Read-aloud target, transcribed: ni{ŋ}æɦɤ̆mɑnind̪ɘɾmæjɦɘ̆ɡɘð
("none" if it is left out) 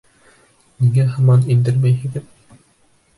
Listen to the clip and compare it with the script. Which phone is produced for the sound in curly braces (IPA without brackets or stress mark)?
ŋ